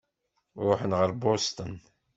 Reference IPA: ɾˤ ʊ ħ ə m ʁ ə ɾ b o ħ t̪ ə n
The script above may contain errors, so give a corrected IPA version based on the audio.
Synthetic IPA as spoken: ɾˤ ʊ ħ ə n ʁ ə ɾ b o s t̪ ə n